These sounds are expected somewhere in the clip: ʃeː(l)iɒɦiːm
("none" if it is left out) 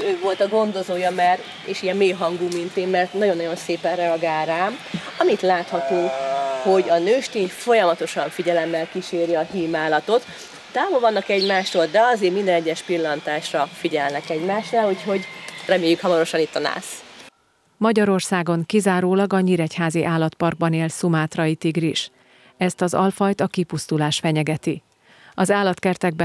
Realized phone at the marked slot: ɾ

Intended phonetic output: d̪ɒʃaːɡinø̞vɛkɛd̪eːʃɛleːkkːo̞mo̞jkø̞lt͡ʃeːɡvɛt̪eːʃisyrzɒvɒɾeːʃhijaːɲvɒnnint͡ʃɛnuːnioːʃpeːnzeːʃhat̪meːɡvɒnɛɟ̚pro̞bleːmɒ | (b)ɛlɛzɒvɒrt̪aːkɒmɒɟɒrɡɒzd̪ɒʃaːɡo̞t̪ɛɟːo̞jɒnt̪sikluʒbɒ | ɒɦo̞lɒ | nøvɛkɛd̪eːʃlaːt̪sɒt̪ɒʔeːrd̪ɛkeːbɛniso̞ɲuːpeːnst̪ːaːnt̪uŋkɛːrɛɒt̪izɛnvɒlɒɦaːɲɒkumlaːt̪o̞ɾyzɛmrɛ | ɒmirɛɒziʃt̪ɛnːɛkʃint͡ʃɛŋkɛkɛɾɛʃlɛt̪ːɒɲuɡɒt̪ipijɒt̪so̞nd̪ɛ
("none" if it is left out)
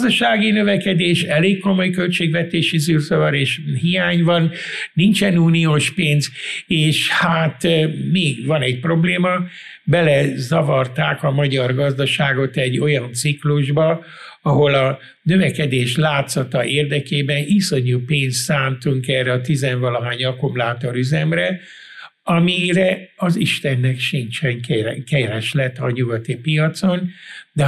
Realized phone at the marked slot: b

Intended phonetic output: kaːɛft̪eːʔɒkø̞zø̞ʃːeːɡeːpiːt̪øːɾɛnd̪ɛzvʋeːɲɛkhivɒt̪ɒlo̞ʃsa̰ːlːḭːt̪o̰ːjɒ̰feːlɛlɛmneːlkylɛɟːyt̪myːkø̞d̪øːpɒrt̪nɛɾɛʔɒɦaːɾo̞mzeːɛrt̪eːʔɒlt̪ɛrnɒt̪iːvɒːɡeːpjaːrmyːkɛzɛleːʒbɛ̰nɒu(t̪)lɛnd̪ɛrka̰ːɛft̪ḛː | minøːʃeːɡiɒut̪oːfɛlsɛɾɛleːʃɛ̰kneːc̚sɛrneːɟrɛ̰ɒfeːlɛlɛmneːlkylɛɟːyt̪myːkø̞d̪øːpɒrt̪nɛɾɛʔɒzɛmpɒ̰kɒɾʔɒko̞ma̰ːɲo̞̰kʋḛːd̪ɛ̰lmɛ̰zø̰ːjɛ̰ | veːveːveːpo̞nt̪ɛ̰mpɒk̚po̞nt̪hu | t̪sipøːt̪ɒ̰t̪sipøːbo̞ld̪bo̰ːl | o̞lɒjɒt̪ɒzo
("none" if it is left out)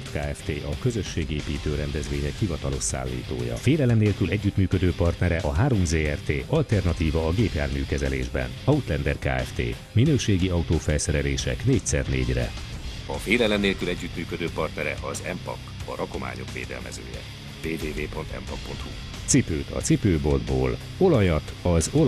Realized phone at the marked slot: t̪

